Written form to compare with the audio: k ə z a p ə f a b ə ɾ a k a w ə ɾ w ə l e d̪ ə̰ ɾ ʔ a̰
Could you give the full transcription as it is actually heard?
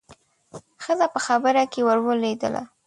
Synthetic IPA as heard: x ə z a p ə x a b ə ɾ a k e w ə ɾ w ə l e d̪ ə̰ l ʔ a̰

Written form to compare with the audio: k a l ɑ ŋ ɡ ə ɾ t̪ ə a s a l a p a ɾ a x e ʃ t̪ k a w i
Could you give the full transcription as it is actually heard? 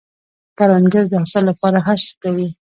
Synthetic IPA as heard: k a ɾ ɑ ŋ ɡ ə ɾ d̪ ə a s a l a p ɑ ɾ a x a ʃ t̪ k a w i

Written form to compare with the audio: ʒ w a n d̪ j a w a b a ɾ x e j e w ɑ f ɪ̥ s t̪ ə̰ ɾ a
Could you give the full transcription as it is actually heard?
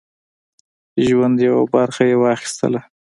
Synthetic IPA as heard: ʒ w a n d̪ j a w a b a ɾ x a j e w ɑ x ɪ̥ s t̪ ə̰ l a

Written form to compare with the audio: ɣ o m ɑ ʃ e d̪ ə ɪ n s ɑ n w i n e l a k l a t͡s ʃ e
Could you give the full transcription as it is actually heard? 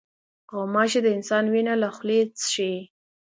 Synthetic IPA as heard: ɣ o m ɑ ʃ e d̪ ə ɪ n s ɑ n w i n a l a x l e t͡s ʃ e

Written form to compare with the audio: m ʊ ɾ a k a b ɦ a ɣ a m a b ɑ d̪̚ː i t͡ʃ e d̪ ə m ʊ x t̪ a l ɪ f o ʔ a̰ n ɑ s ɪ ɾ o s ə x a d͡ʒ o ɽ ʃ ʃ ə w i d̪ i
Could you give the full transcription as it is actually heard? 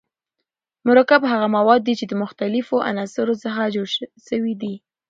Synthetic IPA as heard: m ʊ ɾ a k a b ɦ a ɣ a m a w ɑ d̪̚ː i t͡ʃ e d̪ ə m ʊ x t̪ a l ɪ f o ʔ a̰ n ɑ s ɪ ɾ o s ə x a d͡ʒ o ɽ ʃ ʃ ə w i d̪ i

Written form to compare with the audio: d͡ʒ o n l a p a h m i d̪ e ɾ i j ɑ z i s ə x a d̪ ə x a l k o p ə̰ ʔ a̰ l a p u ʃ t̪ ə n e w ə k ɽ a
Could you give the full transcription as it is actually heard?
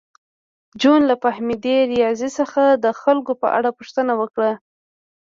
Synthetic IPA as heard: d͡ʒ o n l a p a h m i d̪ e ɾ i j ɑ z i s ə x a d̪ ə x a l k o p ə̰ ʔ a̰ ɽ a p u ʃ t̪ ə n a w ə k ɽ a

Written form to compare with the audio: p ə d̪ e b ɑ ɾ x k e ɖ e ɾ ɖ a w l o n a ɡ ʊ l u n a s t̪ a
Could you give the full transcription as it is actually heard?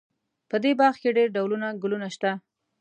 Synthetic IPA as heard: p ə d̪ e b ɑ ɾ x k e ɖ e ɾ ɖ a w l u n a ɡ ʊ l u n a ʃ t̪ a

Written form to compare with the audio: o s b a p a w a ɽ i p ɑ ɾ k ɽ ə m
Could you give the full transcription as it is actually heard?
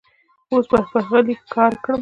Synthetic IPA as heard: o s b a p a ɣ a l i k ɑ ɾ k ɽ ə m

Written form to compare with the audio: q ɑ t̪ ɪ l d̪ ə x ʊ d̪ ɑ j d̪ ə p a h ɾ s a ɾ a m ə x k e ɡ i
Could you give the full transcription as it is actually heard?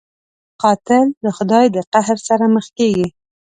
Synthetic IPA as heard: q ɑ t̪ ɪ l d̪ ə x ʊ d̪ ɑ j d̪ ə q a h ɾ s a ɾ a m ə x k e ɡ i

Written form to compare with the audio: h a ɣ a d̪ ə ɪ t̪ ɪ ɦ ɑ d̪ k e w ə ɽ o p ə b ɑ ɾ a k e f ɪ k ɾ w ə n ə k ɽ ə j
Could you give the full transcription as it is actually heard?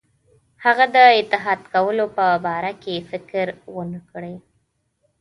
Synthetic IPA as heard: h a ɣ a d̪ ə ɪ t̪ ɪ ɦ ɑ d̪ k a w ə l o p ə b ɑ ɾ a k e f ɪ k ɾ w ə n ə k ɽ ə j

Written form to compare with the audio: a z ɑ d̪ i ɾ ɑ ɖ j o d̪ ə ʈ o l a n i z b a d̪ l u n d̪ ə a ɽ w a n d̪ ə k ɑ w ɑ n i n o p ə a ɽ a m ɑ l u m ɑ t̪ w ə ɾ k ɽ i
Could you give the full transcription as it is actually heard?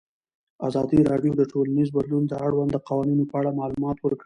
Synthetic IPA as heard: a z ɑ d̪ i ɾ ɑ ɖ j o d̪ ə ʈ o l a n i z b a d̪ l u n d̪ ə a ɽ w a n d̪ ə q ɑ w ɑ n i n o p ə a ɽ a m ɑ l u m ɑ t̪ w ə ɾ k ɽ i

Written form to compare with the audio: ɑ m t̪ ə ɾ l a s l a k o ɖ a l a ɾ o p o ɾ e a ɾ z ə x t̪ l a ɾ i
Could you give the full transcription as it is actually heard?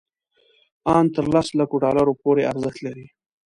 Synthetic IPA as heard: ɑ n t̪ ə ɾ l a s l a k o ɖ ɑ l a ɾ o p o ɾ e a ɾ z ə x t̪ l a ɾ i

